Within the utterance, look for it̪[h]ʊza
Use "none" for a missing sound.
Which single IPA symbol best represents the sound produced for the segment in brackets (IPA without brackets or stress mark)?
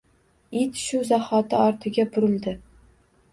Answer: ʃ